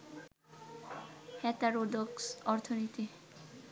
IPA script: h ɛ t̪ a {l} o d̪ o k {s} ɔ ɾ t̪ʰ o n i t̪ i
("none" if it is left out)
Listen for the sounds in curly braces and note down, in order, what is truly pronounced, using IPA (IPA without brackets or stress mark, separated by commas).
ɾ, s